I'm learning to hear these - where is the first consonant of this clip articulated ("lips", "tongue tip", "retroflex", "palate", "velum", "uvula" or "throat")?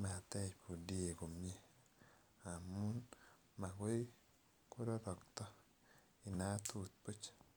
lips